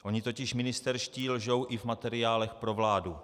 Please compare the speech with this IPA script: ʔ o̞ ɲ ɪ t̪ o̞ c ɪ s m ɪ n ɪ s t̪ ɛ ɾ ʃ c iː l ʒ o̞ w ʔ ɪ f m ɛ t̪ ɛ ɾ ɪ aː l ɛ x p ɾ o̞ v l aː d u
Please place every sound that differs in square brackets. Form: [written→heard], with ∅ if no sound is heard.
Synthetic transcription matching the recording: ʔ o̞ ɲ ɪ t̪ o̞ c ɪ [s→ʃ] m ɪ n ɪ s t̪ ɛ ɾ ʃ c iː l ʒ o̞ w ʔ ɪ [f→v] m [ɛ→a] t̪ ɛ ɾ ɪ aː l ɛ x p ɾ o̞ v l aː d u